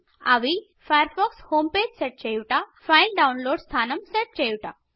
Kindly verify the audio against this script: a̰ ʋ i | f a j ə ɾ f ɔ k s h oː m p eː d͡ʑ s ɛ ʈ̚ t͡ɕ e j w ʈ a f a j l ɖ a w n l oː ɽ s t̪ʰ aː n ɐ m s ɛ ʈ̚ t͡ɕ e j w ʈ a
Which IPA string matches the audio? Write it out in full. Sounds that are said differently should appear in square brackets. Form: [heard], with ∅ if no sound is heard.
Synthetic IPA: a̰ ʋ i | f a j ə ɾ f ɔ k s h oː m p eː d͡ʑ s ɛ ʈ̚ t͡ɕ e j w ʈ a f a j l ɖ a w n l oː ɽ s t̪ʰ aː n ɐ m s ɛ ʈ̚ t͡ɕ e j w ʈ a

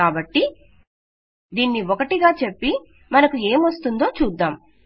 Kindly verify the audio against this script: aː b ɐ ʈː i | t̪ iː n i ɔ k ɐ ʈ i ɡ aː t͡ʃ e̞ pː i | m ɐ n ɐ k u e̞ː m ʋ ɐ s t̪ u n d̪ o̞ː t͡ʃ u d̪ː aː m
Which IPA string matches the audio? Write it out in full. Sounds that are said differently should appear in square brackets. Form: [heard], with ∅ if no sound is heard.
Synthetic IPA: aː b ɐ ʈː i | [d̪] iː [nː] i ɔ k ɐ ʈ i ɡ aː t͡ʃ e̞ pː i | m ɐ n ɐ k u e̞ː m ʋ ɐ s t̪ u n d̪ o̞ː t͡ʃ [uː] d̪ː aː m

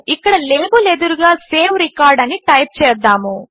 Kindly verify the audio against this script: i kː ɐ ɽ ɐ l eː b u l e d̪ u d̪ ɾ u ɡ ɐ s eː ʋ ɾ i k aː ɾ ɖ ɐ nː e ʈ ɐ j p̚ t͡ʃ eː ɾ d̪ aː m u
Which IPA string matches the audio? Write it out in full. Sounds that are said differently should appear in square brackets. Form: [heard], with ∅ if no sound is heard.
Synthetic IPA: i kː ɐ ɽ ɐ l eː b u l e d̪ u [∅] ɾ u ɡ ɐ s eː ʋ ɾ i k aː ɾ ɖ ɐ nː [i] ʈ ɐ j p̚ t͡ʃ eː ɾ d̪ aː m u

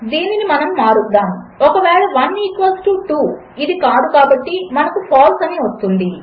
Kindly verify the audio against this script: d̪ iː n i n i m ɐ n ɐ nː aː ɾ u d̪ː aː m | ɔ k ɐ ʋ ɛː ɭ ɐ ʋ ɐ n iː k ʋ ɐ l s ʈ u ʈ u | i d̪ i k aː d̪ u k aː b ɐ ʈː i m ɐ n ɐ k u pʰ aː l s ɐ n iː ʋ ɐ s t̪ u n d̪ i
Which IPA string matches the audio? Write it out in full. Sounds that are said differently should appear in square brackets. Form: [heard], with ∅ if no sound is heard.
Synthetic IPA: d̪ iː n i n i m ɐ n ɐ [mː] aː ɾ u d̪ː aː m | ɔ k ɐ ʋ ɛː ɭ ɐ ʋ ɐ n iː k ʋ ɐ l s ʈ u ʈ u | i d̪ i k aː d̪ u k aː b ɐ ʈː i m ɐ n ɐ k u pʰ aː l s ɐ n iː ʋ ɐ s t̪ u n d̪ i

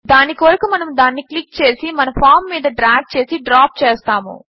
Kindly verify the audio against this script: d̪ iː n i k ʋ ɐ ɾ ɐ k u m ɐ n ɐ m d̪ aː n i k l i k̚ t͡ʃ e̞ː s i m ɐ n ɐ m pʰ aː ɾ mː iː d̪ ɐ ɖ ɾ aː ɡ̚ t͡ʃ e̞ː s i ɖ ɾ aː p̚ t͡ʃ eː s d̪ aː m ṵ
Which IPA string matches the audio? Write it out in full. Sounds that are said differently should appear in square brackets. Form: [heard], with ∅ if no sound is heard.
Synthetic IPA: d̪ [aː] n i k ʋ ɐ ɾ ɐ k u m ɐ n ɐ m d̪ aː [nː] i k l i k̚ t͡ʃ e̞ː s i m ɐ n ɐ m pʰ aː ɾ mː iː d̪ ɐ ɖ ɾ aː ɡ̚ t͡ʃ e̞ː s i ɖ ɾ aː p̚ t͡ʃ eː s [t̪] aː m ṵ

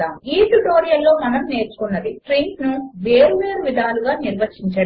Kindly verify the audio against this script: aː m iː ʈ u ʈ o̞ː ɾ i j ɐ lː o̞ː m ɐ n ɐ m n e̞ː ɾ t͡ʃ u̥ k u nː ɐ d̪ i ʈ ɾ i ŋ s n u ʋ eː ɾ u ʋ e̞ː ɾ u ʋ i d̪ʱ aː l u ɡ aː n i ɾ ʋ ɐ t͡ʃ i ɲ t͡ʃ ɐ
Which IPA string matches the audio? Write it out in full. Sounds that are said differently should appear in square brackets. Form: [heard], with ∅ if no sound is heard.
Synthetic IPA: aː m iː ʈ u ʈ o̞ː ɾ i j ɐ lː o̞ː m ɐ n ɐ m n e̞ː ɾ t͡ʃ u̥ k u nː ɐ d̪ i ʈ ɾ i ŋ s n u ʋ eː ɾ u ʋ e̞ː ɾ u ʋ i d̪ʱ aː l u ɡ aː n i ɾ ʋ ɐ t͡ʃ i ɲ t͡ʃ ɐ

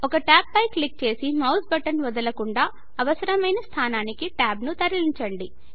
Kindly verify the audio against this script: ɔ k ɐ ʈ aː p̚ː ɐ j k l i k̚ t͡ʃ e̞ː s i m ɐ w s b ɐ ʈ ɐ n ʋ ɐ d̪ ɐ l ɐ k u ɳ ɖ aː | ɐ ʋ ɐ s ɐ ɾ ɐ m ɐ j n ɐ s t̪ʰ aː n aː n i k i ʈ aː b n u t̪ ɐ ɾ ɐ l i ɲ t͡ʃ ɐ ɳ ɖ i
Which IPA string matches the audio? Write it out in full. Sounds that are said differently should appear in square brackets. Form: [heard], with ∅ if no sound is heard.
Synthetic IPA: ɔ k ɐ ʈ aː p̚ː ɐ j k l i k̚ t͡ʃ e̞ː s i m ɐ w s b ɐ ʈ ɐ n ʋ ɐ d̪ ɐ l ɐ k u ɳ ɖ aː | ɐ ʋ ɐ s ɐ ɾ ɐ m ɐ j n ɐ s t̪ʰ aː n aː n i k i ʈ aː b n u t̪ ɐ ɾ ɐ l i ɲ t͡ʃ ɐ ɳ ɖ i

